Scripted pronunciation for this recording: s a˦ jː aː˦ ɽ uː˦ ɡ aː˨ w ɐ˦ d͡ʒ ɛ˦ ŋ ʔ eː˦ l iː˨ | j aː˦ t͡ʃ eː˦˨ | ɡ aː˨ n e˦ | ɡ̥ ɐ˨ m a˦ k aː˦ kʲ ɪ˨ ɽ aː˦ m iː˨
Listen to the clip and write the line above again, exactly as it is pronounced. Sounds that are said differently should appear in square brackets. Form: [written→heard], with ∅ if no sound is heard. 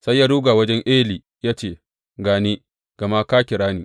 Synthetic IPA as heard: s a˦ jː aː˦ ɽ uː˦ ɡ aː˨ w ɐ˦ d͡ʒ ɛ˦ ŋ ʔ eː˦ l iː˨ | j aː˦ t͡ʃ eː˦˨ | ɡ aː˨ n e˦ | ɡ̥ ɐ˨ m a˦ k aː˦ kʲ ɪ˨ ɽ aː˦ [m→n] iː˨